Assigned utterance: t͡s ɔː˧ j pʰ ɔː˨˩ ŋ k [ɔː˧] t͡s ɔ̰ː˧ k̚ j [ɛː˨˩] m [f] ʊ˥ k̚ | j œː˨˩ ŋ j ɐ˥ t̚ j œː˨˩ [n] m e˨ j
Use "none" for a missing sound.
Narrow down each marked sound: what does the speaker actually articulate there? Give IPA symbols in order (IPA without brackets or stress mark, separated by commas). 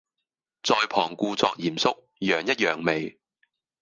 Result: uː˧, iː˨˩, s, ŋ